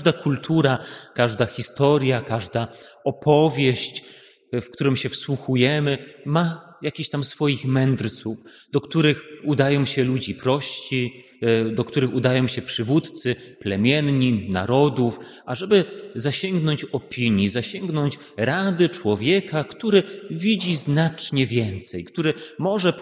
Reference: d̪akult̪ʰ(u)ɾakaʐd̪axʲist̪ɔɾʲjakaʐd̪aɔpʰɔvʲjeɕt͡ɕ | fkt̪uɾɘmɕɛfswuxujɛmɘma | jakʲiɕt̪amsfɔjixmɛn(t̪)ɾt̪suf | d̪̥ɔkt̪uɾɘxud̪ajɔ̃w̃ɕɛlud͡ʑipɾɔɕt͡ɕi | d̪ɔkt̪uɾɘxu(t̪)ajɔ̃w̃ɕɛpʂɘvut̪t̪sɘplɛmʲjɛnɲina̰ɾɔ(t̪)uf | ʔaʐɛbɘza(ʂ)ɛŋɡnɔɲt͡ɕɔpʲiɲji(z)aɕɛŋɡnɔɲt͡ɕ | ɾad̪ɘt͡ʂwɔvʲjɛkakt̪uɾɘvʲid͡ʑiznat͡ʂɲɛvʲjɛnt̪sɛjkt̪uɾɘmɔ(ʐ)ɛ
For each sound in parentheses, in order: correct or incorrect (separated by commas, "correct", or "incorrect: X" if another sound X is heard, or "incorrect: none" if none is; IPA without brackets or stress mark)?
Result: correct, incorrect: d̪, incorrect: d̪, incorrect: d̪, incorrect: ɕ, correct, correct